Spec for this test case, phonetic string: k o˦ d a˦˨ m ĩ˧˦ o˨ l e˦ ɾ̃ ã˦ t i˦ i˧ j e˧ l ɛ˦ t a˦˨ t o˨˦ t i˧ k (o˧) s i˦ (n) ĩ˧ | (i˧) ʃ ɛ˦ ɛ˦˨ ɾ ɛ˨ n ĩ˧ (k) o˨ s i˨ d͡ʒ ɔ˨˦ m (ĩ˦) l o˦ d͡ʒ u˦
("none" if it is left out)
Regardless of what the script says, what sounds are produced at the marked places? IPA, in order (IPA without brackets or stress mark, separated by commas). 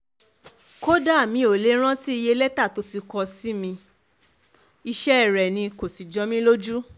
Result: ɔ˧, m, i˧, k, ĩ˦